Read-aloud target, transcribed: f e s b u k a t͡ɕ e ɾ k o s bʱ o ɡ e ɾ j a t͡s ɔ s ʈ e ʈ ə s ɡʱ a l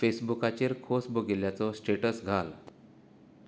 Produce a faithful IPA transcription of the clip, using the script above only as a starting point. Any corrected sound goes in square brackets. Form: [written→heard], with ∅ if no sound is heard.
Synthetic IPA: f e s b u k a t͡ɕ e ɾ [k→kʰ] o s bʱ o ɡ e [ɾ→l] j a t͡s ɔ s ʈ e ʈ ə s ɡʱ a l

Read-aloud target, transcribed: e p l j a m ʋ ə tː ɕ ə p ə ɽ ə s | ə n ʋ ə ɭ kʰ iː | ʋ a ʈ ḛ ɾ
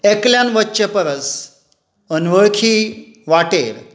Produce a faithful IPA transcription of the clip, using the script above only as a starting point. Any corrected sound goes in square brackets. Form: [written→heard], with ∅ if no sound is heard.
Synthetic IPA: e [p→k] l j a [m→n] ʋ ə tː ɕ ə p ə [ɽ→ɾ] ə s | ə n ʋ ə ɭ kʰ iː | ʋ a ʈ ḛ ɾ

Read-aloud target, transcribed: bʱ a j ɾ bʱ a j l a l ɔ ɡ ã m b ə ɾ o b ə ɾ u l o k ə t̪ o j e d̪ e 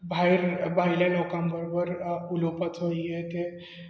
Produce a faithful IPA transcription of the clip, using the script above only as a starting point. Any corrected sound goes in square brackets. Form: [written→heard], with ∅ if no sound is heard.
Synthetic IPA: bʱ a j ɾ bʱ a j l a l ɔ [ɡ→k] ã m b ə ɾ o b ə ɾ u l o [k→p] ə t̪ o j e [d̪→t̪] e

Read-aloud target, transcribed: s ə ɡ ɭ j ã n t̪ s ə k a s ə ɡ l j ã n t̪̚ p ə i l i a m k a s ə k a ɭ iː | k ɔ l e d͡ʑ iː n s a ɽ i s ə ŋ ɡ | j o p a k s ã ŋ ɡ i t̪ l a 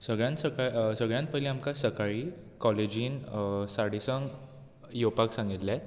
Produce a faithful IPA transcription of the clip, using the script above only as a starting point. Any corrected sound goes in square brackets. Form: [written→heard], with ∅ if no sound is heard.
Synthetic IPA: s ə ɡ ɭ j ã n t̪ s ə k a s ə ɡ [l→ɭ] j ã n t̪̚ p ə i l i a m k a s ə k a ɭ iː | k ɔ l e d͡ʑ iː n s a ɽ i s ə ŋ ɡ | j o p a k s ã ŋ ɡ i t̪ l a

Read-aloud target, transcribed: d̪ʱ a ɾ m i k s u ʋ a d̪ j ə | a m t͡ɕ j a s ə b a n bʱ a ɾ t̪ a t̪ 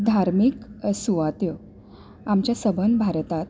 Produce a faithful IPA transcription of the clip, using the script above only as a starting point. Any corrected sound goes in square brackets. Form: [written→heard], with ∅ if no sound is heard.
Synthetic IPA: d̪ʱ a ɾ m i k s u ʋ a [d̪→t̪] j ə | a m t͡ɕ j a s ə b [a→ə] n bʱ a ɾ t̪ a t̪

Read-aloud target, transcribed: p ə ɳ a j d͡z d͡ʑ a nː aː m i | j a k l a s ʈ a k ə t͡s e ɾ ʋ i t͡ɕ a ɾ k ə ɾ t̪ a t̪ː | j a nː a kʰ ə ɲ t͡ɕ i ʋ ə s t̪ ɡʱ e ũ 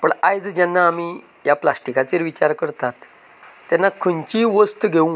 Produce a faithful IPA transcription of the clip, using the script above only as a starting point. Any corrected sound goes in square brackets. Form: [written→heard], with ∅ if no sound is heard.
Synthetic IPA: p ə ɳ a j d͡z d͡ʑ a nː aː m i | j a [k→p] l a s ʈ [a→i] k [ə→a] t͡s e ɾ ʋ i t͡ɕ a ɾ k ə ɾ t̪ a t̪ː | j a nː a kʰ ə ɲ t͡ɕ i ʋ ə s t̪ ɡʱ e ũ

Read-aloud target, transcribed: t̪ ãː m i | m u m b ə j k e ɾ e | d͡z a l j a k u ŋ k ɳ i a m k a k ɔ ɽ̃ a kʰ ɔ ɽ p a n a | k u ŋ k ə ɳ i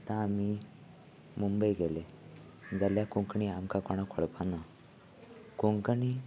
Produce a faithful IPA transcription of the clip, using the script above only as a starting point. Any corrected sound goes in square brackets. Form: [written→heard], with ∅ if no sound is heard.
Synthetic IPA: t̪ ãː m i | m u m b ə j [k→ɡ] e [ɾ→l] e | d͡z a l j a k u ŋ k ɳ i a m k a k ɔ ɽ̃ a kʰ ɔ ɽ p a n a | k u ŋ k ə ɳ i

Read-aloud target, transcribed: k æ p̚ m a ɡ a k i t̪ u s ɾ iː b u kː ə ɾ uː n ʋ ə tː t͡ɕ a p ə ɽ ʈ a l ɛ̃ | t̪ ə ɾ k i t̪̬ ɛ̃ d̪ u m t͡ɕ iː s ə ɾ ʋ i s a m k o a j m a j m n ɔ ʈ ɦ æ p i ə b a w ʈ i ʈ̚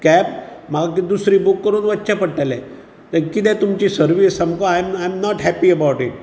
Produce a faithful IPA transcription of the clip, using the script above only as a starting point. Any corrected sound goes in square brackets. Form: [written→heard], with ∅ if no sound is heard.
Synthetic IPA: k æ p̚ m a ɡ a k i [t̪→d̪] u s ɾ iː b u kː ə ɾ uː n ʋ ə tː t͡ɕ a p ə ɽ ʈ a l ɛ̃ | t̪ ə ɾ k i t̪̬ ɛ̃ [d̪→t̪] u m t͡ɕ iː s ə ɾ ʋ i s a m k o a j m a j m n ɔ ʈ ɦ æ p i ə b a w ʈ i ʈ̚

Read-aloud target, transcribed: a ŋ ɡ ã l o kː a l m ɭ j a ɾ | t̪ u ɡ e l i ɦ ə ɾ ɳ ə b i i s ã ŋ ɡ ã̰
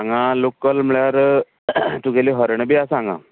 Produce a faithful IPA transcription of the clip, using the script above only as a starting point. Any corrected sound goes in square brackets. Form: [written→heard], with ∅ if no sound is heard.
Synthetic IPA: a ŋ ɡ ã l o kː [a→ə] l m ɭ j a ɾ | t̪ u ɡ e l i ɦ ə ɾ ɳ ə b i [i→a] s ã ŋ ɡ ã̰

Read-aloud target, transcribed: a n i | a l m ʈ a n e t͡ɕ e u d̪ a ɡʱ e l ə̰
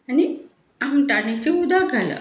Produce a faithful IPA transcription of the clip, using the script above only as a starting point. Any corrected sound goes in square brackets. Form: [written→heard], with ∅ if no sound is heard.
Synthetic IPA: a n i | a [l→∅] m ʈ a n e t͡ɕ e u d̪ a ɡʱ [e→a] l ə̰

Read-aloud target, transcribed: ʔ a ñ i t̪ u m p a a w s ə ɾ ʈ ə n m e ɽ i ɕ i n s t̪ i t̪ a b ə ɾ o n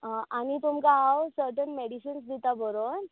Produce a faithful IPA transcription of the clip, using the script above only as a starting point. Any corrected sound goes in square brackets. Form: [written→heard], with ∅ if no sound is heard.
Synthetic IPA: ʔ a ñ i t̪ u m [p→k] a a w s ə ɾ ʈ ə n m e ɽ i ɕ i n s [t̪→d̪] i t̪ a b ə ɾ o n

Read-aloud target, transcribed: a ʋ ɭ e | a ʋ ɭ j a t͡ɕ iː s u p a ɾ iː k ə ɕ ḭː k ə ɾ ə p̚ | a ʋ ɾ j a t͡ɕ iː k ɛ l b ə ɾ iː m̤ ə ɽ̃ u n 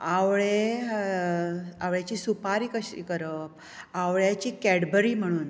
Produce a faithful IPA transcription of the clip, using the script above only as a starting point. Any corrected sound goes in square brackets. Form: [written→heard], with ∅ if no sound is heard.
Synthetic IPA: a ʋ ɭ e | a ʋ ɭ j a t͡ɕ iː s u p a ɾ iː k ə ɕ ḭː k ə ɾ ə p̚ | a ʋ [ɾ→ɭ] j a t͡ɕ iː k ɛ [l→ɽ] b ə ɾ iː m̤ ə ɽ̃ [u→uː] n

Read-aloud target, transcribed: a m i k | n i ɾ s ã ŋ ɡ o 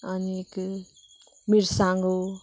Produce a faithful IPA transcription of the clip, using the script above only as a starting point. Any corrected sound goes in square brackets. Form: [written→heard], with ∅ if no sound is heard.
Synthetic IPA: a [m→n] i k | [n→m] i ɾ s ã ŋ ɡ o

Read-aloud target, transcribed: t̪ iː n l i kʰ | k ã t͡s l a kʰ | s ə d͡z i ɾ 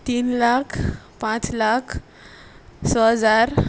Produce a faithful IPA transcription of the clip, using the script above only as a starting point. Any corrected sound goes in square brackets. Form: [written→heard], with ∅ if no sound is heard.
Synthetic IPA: t̪ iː n l [i→a] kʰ | [k→p] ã t͡s l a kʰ | s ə d͡z [i→a] ɾ

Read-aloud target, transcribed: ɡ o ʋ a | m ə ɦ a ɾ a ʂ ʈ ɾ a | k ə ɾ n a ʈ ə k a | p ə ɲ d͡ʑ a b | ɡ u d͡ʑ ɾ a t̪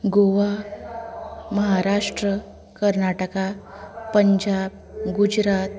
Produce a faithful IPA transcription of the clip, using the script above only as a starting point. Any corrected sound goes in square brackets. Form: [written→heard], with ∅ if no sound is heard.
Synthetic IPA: ɡ o ʋ a | m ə ɦ a ɾ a ʂ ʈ ɾ [a→ə] | k ə ɾ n a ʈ ə k a | p ə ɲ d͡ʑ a b | ɡ u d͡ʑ ɾ a t̪

